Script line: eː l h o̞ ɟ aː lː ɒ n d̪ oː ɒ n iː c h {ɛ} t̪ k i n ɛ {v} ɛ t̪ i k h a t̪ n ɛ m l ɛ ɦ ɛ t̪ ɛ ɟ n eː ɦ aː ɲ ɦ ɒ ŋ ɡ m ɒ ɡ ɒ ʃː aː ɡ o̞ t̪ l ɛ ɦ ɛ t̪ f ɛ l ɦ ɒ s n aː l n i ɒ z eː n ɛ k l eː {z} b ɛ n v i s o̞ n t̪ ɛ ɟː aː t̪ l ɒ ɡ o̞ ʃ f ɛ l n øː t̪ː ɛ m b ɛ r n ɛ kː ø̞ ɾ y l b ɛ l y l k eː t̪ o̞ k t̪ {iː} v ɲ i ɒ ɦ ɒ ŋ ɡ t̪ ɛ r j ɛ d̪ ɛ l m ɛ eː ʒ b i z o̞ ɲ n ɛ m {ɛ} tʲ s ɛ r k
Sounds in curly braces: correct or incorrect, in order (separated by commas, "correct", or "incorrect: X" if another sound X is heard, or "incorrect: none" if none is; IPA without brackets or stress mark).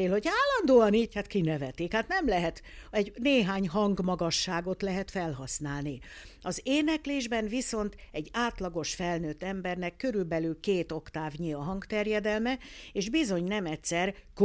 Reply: incorrect: a, correct, incorrect: ʒ, incorrect: aː, correct